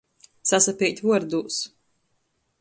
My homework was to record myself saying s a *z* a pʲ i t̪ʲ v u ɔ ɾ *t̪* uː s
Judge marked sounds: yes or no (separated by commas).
no, no